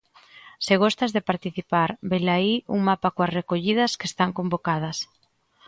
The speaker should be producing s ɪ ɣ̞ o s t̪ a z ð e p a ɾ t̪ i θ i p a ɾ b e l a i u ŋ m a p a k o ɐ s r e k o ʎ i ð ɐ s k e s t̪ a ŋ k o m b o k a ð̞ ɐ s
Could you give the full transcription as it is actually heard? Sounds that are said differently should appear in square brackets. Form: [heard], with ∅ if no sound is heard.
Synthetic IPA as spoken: s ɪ ɣ̞ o s t̪ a z ð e p a ɾ t̪ i θ i p a ɾ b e l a i u ŋ m a p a k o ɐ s r e k o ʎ i ð ɐ s k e s t̪ a ŋ k o m b o k a ð̞ ɐ s